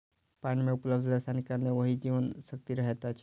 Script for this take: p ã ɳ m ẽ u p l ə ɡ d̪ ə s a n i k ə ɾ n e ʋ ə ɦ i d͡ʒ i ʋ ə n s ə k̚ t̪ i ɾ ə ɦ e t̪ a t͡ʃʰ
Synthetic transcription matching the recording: p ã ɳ m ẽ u p l ə b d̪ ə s a n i k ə ɾ n e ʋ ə ɦ i d͡ʒ i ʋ ə n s ə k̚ t̪ i ɾ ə ɦ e t̪ a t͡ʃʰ